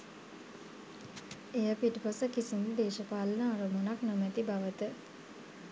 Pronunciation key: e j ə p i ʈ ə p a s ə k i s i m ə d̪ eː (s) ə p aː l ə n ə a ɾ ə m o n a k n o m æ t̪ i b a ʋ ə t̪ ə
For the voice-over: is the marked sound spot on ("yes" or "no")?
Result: no